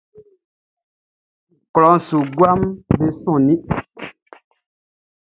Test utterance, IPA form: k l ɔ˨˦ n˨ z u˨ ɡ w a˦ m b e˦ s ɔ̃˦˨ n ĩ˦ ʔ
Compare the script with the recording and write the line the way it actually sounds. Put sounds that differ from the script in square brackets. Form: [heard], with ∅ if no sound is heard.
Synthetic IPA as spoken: k l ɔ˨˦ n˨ [s] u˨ ɡ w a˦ m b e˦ s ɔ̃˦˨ n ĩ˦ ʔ